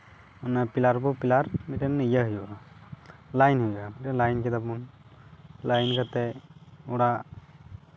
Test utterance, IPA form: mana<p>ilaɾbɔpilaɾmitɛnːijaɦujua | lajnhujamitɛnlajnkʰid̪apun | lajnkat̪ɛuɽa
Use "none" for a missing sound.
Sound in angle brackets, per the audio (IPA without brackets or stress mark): p